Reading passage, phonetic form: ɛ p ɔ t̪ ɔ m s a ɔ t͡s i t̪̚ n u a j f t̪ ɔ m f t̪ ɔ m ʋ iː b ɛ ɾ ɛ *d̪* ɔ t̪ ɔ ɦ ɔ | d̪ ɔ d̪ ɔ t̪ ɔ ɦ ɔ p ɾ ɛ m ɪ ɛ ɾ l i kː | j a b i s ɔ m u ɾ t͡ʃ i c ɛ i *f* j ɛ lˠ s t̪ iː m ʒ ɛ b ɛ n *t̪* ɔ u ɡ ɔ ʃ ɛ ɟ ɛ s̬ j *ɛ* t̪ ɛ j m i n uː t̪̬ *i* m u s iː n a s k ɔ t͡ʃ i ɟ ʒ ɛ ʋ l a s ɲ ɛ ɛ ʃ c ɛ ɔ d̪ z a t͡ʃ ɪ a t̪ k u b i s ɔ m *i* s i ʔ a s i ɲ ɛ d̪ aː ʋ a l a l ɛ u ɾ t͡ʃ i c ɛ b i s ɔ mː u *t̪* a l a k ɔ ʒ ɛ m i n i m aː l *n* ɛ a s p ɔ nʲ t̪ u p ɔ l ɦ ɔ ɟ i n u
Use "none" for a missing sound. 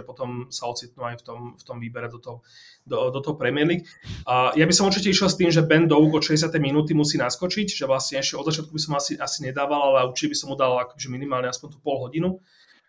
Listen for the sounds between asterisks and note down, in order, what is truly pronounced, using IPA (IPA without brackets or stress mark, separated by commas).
d̪, ʃ, d̪, a, i, a, d̪, ɲ